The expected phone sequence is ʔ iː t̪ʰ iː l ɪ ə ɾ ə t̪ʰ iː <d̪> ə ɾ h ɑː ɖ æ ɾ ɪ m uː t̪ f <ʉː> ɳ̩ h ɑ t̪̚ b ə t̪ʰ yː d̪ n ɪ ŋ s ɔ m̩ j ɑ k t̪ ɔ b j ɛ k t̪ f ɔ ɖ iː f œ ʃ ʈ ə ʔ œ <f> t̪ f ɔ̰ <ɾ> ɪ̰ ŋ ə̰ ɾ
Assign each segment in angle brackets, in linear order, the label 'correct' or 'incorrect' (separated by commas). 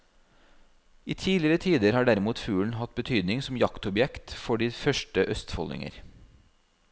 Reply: correct, correct, incorrect, incorrect